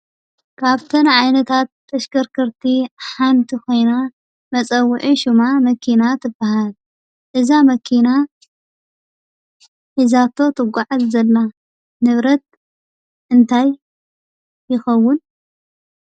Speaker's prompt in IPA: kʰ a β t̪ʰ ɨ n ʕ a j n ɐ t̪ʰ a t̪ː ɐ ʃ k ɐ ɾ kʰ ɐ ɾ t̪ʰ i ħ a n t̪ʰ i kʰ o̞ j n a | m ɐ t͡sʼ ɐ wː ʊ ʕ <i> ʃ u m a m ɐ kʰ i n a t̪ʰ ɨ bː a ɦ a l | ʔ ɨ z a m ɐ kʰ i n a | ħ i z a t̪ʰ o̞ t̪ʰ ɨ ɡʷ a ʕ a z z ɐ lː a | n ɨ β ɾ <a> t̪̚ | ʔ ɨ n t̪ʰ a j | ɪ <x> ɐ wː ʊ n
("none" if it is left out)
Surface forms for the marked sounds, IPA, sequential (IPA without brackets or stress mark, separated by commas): i, ɐ, x